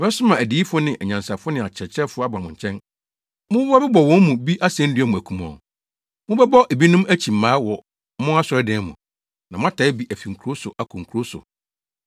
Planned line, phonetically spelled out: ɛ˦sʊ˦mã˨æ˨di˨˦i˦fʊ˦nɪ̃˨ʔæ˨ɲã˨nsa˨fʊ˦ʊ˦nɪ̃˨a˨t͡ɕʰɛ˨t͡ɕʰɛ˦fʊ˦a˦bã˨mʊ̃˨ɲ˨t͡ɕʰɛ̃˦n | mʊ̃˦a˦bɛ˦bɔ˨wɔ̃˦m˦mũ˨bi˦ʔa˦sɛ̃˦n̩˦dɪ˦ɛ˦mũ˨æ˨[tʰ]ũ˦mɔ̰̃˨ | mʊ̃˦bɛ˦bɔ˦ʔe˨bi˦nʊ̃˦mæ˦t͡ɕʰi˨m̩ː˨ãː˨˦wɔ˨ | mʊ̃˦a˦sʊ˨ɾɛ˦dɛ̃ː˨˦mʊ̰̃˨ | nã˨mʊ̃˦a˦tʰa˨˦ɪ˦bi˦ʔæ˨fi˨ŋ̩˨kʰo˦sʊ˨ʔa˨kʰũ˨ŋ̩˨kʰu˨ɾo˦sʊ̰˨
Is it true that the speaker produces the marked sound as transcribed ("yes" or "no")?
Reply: no